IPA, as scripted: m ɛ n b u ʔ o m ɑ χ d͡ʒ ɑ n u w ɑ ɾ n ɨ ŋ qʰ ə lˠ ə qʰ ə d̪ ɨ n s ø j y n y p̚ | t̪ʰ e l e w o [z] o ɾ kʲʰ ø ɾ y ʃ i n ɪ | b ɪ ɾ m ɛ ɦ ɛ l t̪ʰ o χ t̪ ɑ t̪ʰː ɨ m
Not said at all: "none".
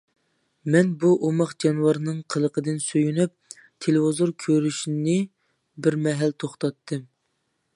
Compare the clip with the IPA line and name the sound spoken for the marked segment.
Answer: z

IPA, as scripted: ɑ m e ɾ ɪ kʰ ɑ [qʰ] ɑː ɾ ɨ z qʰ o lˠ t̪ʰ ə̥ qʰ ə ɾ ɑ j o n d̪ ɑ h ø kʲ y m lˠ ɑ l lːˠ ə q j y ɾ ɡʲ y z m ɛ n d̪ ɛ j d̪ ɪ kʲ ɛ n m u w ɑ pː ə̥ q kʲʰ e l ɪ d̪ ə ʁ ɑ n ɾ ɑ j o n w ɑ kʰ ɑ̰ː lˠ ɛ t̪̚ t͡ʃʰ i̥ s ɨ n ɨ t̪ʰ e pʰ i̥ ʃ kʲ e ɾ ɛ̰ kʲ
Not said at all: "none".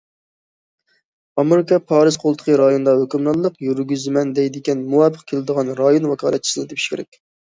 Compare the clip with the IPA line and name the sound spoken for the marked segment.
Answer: pʰ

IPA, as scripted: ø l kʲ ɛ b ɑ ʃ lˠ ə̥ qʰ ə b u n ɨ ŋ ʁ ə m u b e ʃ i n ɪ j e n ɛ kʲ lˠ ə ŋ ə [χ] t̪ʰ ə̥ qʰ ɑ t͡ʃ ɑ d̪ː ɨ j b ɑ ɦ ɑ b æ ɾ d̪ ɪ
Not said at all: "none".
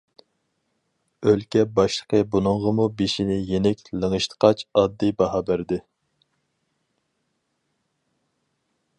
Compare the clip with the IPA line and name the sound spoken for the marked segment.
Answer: ʃ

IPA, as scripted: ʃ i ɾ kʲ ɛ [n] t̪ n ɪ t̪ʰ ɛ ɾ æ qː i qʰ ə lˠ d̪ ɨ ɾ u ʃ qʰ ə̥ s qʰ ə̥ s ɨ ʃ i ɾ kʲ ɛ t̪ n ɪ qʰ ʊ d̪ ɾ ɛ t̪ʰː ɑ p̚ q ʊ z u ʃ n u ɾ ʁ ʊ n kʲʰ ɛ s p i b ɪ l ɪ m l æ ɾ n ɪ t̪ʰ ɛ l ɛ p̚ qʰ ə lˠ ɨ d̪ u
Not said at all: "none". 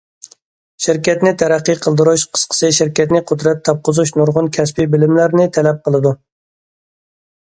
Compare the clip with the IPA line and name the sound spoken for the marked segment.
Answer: none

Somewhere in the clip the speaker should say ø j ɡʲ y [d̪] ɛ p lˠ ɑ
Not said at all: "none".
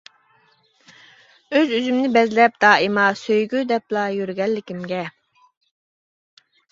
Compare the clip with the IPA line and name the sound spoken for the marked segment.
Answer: d̪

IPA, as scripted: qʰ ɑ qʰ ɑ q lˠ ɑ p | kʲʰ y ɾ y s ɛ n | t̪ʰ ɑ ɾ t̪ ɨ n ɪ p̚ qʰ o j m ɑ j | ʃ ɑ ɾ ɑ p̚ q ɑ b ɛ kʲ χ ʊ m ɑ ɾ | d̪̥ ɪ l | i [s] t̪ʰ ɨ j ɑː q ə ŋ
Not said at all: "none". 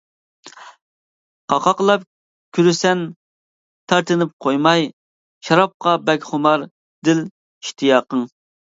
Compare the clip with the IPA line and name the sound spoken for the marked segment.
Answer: ʃ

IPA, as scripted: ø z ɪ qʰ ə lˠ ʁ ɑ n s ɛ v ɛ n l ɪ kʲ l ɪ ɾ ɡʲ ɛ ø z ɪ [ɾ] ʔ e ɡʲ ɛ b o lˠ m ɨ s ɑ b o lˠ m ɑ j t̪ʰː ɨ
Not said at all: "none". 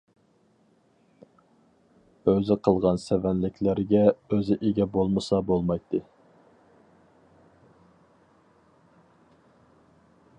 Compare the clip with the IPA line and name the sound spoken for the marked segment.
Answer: none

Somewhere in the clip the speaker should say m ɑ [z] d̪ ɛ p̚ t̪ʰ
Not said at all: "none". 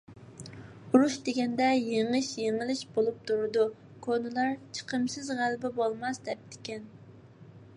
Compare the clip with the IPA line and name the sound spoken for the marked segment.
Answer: s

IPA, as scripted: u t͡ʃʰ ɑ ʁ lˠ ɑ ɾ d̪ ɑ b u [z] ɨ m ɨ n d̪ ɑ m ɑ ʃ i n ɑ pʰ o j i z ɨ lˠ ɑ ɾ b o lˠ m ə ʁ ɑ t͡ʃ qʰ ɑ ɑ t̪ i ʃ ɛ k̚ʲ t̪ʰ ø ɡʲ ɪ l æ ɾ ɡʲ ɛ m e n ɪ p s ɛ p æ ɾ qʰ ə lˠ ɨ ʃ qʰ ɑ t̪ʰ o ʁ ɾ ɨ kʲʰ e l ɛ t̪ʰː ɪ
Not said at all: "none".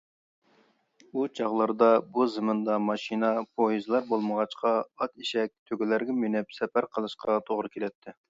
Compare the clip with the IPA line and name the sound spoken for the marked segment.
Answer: z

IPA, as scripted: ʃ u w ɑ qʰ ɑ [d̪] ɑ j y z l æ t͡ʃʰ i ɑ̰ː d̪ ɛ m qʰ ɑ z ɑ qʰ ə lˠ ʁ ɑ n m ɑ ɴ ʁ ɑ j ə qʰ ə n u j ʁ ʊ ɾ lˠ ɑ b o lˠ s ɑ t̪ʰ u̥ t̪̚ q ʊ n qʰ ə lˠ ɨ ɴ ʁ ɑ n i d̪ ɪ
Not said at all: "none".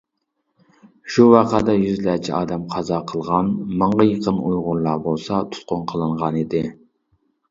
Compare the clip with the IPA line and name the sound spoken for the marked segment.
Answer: d̪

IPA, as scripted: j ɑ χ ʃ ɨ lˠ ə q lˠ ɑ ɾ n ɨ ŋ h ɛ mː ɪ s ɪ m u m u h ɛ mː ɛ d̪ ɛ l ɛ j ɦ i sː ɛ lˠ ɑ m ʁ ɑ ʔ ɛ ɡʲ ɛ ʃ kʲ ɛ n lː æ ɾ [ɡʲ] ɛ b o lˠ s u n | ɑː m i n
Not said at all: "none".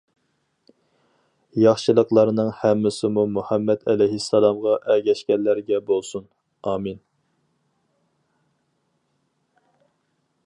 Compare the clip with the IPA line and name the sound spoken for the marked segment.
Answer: ɡʲ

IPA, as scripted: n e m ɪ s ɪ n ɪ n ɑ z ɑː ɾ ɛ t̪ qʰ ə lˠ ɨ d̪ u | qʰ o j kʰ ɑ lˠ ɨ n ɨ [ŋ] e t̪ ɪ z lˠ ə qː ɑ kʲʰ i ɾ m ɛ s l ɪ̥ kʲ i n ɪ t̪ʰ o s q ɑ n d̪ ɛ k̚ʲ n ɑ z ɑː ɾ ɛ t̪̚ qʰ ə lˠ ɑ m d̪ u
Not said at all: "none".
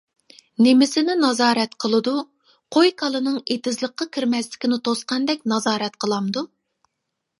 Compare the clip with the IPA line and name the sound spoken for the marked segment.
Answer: ŋ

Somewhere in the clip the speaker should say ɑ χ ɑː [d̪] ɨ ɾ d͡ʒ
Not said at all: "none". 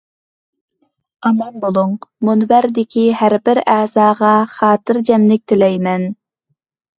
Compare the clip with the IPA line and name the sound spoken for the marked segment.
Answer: t̪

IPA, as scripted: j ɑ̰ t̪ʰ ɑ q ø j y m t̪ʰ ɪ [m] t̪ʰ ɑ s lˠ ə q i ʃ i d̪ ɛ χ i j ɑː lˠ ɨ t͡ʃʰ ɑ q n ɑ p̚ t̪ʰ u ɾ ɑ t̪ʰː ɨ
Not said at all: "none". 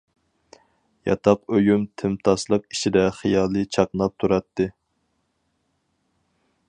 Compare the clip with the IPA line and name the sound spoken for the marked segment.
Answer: m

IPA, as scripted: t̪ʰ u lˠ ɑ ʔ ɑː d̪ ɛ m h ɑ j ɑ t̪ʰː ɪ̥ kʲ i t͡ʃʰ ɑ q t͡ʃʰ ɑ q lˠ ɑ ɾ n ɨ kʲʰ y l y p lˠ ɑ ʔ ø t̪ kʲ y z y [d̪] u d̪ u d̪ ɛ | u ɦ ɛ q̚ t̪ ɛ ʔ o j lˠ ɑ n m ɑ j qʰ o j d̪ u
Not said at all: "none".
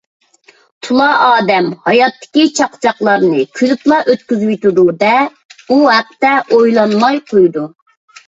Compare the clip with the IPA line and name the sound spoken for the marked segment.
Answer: t̪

